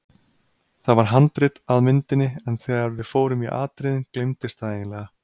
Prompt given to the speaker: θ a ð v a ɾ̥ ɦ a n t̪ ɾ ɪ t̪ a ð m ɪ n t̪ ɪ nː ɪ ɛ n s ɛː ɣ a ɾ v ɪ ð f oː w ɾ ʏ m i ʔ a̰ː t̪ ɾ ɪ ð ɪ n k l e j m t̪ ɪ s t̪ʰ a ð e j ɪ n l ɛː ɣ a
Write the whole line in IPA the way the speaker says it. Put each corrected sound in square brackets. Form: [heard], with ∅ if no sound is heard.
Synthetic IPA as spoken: θ a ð v a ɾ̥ ɦ a n t̪ ɾ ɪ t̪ a ð m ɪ n t̪ ɪ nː ɪ ɛ n [θ] ɛː ɣ a ɾ v ɪ ð f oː w ɾ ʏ m i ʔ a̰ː t̪ ɾ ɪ ð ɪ n k l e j m t̪ ɪ s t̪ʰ a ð e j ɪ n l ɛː ɣ a